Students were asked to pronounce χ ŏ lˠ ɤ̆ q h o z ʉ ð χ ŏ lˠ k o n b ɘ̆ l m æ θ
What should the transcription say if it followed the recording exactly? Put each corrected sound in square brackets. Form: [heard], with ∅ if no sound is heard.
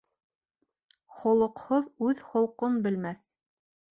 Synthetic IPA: χ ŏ lˠ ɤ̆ q h o [ð] ʉ ð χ ŏ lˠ [q] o n b ɘ̆ l m æ θ